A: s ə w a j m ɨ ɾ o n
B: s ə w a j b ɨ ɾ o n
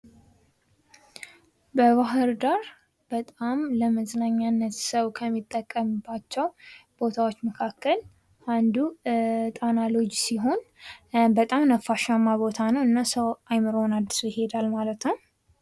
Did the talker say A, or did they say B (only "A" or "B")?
A